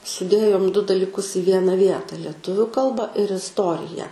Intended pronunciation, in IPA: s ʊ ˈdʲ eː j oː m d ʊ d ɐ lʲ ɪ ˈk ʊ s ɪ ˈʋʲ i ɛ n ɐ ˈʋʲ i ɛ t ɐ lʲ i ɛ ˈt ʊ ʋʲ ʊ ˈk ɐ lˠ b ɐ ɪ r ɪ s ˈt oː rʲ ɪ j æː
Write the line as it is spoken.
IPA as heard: s ʊ ˈdʲ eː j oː m d ʊ d ɐ lʲ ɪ ˈk ʊ s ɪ ˈʋʲ i ɛ n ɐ ˈʋʲ i ɛ t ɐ lʲ i ɛ ˈt ʊ ʋʲ ʊ ˈk ɐ lˠ b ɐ ɪ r ɪ s ˈt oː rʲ ɪ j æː

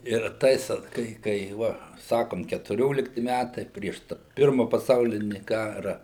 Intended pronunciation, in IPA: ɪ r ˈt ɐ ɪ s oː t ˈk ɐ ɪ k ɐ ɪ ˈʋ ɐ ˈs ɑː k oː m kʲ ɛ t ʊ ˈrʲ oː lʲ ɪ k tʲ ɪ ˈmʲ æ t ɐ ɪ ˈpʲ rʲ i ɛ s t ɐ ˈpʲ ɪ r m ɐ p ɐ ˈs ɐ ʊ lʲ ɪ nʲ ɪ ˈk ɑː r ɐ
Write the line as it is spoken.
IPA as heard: ɪ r ˈt ɐ ɪ s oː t ˈk ɐ ɪ k ɐ ɪ ˈʋ ɐ ˈs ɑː k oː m kʲ ɛ t ʊ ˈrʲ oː lʲ ɪ k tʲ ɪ ˈmʲ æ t ɐ ɪ ˈpʲ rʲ i ɛ ʃ t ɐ ˈpʲ ɪ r m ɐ p ɐ ˈs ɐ ʊ lʲ ɪ nʲ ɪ ˈk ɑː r ɐ

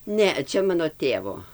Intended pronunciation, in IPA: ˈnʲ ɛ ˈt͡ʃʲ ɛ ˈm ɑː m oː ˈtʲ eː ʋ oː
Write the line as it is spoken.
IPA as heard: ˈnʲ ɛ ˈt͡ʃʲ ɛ ˈm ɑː n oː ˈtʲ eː ʋ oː

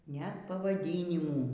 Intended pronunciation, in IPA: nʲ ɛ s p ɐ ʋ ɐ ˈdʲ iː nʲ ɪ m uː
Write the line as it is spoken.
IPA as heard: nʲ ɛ t p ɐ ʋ ɐ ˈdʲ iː nʲ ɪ m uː

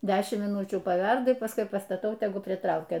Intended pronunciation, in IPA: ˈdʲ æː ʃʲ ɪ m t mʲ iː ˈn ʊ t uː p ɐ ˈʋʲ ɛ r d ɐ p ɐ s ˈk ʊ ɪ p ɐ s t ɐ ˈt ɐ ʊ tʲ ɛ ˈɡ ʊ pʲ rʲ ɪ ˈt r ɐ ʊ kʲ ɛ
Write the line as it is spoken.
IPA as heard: ˈdʲ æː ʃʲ ɪ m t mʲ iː ˈn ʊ t͡ʃʲ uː p ɐ ˈʋʲ ɛ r d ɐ p ɐ s ˈk ʊ ɪ p ɐ s t ɐ ˈt ɐ ʊ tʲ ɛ ˈɡ ʊ pʲ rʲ ɪ ˈt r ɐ ʊ kʲ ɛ

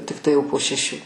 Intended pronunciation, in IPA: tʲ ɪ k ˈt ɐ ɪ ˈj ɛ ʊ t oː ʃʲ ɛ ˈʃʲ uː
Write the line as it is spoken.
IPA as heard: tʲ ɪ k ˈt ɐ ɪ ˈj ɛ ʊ p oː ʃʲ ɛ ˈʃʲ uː

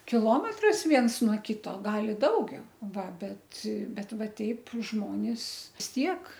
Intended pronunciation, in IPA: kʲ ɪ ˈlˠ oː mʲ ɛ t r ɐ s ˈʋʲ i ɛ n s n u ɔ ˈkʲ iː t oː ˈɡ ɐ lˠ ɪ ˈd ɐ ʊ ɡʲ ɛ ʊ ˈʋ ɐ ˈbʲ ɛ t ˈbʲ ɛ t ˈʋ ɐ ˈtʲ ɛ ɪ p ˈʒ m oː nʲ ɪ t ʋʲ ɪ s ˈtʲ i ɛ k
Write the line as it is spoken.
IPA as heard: kʲ ɪ ˈlˠ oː mʲ ɛ t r ɐ s ˈʋʲ i ɛ n s n u ɔ ˈkʲ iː t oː ˈɡ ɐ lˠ ɪ ˈd ɐ ʊ ɡʲ ɛ ʊ ˈʋ ɐ ˈbʲ ɛ t ˈbʲ ɛ t ˈʋ ɐ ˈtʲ ɛ ɪ p ˈʒ m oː nʲ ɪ s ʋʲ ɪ s ˈtʲ i ɛ k

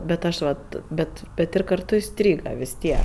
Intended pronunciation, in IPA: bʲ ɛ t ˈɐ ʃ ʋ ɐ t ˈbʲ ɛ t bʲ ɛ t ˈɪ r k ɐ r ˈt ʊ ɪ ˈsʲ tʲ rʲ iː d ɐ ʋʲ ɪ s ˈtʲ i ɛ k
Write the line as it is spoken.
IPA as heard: bʲ ɛ t ˈɐ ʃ ʋ ɐ t ˈbʲ ɛ t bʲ ɛ t ˈɪ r k ɐ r ˈt ʊ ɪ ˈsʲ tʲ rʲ iː ɡ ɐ ʋʲ ɪ s ˈtʲ i ɛ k

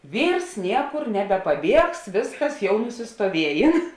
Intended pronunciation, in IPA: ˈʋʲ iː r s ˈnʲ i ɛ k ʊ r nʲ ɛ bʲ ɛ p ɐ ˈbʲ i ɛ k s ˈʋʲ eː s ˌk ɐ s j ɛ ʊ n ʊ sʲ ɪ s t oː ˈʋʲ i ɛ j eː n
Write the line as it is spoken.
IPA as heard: ˈʋʲ iː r s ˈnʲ i ɛ k ʊ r nʲ ɛ bʲ ɛ p ɐ ˈbʲ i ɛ k s ˈʋʲ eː s ˌk ɐ s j ɛ ʊ n ʊ sʲ ɪ s t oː ˈʋʲ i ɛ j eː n

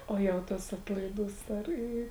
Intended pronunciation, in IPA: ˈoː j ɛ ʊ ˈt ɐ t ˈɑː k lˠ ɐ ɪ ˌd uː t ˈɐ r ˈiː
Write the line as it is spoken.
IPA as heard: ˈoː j ɛ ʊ ˈt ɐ s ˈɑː t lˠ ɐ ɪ ˌd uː s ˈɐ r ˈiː

